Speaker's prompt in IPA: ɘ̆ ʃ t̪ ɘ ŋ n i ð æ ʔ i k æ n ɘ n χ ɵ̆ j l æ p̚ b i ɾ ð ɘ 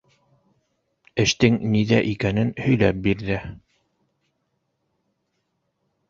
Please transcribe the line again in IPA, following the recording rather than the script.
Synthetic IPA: ɘ̆ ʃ t̪ ɘ ŋ n i ð æ ʔ i k æ n ɘ n h ɵ̆ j l æ p̚ b i ɾ ð ɘ